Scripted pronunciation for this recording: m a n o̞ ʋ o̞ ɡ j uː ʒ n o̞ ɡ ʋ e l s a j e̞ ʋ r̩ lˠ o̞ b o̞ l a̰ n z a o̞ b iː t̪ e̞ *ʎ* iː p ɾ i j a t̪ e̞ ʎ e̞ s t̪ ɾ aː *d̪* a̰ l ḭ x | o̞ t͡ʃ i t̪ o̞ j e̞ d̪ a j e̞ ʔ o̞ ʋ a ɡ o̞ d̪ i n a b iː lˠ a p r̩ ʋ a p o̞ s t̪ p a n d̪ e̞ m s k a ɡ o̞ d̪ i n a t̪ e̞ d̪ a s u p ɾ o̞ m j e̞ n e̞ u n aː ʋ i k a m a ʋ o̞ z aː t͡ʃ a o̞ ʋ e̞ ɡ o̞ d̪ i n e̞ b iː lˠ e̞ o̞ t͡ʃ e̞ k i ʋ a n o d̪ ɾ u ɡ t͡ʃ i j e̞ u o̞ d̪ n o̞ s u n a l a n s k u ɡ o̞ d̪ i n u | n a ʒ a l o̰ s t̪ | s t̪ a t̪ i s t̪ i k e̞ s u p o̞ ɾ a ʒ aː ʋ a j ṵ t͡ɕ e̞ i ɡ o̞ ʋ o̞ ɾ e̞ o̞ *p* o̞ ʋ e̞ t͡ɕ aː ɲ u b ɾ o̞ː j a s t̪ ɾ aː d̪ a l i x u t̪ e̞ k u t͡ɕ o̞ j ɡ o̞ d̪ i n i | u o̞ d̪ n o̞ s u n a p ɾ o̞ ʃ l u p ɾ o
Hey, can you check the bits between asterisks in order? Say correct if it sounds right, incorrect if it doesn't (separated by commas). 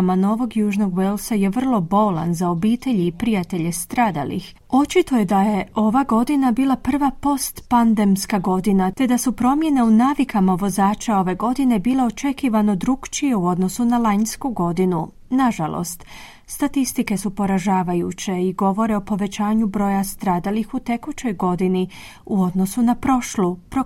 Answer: correct, correct, correct